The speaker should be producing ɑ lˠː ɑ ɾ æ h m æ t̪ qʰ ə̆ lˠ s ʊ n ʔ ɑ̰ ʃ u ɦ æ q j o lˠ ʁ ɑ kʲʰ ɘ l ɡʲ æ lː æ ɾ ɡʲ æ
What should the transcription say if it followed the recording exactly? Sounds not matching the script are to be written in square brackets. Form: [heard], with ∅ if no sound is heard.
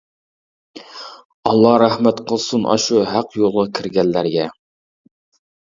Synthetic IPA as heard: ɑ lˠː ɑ ɾ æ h m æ t̪ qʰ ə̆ lˠ s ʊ n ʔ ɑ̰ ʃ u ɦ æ q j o lˠ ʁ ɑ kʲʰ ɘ [ɾ] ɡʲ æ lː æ ɾ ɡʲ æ